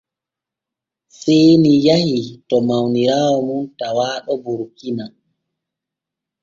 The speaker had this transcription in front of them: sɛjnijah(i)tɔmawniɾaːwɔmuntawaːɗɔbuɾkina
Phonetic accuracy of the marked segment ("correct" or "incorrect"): correct